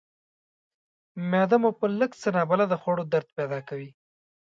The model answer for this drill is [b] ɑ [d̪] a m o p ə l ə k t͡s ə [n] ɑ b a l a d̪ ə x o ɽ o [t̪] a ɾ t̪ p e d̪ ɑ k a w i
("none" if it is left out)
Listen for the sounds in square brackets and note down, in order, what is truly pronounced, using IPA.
m, d̪, n, d̪

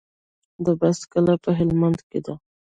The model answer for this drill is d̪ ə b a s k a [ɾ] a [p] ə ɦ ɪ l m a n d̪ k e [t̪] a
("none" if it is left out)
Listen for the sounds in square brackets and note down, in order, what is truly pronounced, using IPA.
l, p, d̪

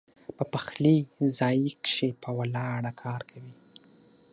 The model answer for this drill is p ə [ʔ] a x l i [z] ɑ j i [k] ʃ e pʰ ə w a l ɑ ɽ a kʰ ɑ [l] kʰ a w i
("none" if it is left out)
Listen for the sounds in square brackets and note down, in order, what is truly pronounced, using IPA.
p, z, k, ɾ

